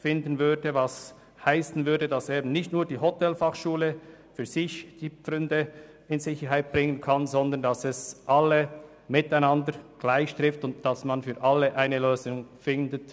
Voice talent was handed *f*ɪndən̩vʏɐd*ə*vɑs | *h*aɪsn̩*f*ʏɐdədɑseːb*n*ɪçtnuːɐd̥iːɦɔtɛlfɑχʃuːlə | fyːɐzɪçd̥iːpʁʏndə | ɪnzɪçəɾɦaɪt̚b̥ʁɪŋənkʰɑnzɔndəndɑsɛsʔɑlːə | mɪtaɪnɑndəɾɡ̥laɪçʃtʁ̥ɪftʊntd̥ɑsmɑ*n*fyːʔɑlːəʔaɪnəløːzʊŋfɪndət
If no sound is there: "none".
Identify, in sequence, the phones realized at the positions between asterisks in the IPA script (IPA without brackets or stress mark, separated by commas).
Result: f, ə, h, v, n, n